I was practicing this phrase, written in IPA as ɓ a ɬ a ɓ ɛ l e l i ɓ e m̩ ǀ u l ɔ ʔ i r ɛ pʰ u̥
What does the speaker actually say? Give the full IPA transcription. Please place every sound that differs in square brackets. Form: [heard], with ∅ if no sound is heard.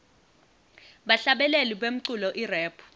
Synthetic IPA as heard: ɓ a ɬ a ɓ ɛ l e l i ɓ e m̩ ǀ u l ɔ ʔ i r [ɛː] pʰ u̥